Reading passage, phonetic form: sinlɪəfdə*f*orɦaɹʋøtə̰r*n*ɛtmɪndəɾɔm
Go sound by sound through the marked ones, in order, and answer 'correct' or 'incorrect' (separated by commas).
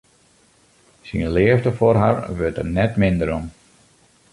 correct, correct